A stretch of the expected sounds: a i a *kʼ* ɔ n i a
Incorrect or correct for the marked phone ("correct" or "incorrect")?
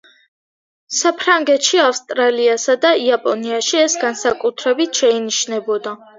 incorrect